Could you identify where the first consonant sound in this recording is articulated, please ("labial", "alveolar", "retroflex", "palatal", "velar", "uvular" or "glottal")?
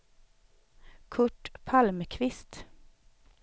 velar